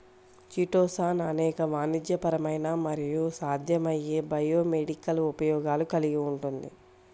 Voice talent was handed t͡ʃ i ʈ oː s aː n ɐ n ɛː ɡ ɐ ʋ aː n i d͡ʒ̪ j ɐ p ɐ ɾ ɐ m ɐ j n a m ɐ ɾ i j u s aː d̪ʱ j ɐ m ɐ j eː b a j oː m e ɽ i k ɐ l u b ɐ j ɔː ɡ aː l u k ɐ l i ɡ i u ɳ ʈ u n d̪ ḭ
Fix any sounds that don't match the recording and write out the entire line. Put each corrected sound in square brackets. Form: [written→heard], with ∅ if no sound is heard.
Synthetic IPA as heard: t͡ʃ i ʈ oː s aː n ɐ n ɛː [ɡ→k] ɐ ʋ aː n i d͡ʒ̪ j ɐ p ɐ ɾ ɐ m ɐ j n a m ɐ ɾ i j u s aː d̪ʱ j ɐ m ɐ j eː b [a→ɐ] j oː m e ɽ i k ɐ l u [b→p] ɐ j ɔː ɡ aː l u k ɐ l i ɡ i u ɳ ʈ u n d̪ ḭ